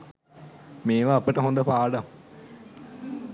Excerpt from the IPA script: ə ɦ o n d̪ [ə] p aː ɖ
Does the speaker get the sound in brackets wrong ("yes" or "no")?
no